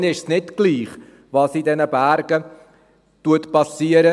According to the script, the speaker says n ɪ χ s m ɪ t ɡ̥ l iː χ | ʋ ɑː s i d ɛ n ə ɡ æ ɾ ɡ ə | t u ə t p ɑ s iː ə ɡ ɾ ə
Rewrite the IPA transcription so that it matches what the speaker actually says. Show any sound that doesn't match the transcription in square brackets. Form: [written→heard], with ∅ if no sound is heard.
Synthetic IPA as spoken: n ɪ [χ→ʃ] s [m→n] ɪ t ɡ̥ l iː χ | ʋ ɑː s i d ɛ n ə [ɡ→b] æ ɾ ɡ ə | t u ə t p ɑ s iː ə [ɡ→∅] ɾ ə

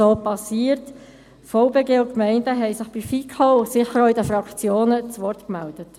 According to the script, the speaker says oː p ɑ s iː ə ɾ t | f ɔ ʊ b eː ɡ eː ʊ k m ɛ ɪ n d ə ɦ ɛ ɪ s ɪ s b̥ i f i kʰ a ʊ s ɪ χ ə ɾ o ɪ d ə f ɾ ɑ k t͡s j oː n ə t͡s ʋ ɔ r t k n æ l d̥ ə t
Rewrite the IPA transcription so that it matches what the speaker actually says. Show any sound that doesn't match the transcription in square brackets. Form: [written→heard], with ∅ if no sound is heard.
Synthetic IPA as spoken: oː p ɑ s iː ə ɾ t | f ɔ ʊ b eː ɡ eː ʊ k m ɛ ɪ n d ə ɦ ɛ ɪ s ɪ [s→χ] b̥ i f i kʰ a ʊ s ɪ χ ə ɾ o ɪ d ə f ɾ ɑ k t͡s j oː n ə t͡s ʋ ɔ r t k [n→m] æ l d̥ ə t

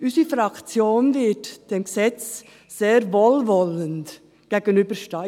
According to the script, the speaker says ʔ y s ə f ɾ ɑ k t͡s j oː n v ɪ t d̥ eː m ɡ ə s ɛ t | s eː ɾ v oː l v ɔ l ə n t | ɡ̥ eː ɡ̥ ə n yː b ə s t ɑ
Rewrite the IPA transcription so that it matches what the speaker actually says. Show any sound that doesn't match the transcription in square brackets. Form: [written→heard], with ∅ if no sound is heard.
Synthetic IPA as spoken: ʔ y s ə f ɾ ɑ k t͡s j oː n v ɪ t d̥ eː m ɡ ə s ɛ [t→t͡s] | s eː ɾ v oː l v ɔ l ə n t | ɡ̥ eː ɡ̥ ə n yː b ə [s→ʃ] t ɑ

